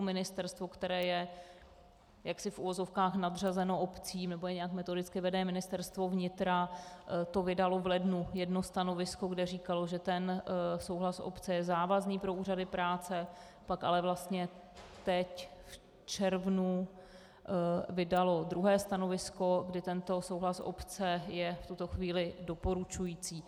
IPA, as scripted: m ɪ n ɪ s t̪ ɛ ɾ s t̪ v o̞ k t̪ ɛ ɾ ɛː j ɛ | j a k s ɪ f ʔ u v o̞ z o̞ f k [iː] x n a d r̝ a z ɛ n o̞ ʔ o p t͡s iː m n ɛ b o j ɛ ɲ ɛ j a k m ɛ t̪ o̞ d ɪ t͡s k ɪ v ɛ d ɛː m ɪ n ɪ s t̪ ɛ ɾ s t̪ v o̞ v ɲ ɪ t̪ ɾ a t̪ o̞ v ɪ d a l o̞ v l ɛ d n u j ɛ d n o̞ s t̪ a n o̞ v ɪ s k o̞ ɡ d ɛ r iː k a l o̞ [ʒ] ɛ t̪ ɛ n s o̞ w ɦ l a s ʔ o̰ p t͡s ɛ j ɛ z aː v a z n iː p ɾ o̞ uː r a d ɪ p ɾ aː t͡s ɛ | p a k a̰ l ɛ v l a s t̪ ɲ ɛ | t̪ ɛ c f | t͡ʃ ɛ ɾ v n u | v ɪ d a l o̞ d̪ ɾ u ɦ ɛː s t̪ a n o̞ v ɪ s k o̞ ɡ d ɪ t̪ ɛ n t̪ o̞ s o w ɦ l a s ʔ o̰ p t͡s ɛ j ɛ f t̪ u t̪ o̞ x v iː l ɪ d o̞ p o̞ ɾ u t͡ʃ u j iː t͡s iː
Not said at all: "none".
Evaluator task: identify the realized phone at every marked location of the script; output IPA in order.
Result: aː, ʒ

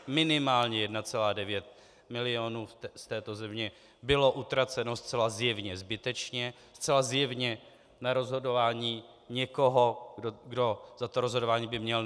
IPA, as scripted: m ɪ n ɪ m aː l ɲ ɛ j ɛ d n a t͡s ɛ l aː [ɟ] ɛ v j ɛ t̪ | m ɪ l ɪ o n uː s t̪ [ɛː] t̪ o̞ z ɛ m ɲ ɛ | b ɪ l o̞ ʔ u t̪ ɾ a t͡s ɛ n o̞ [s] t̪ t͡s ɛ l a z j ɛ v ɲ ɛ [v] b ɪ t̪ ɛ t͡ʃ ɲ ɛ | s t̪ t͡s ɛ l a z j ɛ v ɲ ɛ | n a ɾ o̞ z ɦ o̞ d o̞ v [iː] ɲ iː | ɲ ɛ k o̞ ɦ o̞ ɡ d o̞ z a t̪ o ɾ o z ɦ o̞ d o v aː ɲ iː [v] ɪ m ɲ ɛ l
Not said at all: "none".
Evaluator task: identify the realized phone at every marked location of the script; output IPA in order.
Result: d, ɛː, s, z, aː, b

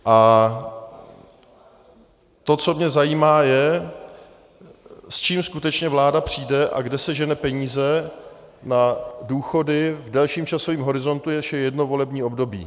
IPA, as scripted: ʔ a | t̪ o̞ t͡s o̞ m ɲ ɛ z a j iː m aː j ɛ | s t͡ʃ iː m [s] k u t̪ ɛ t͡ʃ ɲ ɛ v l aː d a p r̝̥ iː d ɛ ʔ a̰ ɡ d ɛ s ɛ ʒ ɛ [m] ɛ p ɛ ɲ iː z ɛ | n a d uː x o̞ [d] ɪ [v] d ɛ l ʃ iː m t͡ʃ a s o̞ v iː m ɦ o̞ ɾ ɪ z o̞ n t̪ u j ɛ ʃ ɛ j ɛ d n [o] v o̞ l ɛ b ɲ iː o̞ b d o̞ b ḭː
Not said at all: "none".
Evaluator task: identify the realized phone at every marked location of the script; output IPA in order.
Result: s, n, d, v, o

